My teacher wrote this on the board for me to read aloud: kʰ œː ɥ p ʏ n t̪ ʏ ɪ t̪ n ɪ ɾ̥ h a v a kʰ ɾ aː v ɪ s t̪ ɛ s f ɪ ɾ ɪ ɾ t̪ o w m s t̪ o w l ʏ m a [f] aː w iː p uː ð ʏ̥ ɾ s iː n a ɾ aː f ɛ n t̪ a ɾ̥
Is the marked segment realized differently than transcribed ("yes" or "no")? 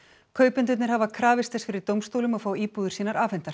no